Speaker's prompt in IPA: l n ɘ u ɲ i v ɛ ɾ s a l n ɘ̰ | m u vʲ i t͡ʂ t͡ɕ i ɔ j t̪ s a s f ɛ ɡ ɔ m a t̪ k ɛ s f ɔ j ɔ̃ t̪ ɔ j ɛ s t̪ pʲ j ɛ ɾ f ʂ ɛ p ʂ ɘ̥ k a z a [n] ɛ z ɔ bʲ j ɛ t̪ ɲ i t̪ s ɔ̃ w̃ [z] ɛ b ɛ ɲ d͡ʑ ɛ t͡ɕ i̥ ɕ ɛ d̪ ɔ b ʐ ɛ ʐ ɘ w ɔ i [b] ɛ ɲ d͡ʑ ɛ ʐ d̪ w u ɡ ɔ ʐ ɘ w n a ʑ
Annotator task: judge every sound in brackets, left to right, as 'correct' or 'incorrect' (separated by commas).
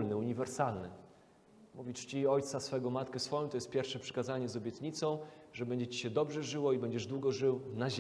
incorrect, incorrect, correct